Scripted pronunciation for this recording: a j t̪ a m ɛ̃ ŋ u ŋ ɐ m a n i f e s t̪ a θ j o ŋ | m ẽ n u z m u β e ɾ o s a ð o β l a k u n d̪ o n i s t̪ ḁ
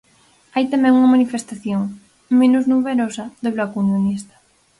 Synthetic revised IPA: a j t̪ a m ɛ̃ ŋ u ŋ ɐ m a n i f e s t̪ a θ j o ŋ | m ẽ n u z n u β e ɾ o s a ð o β l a k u n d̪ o n i s t̪ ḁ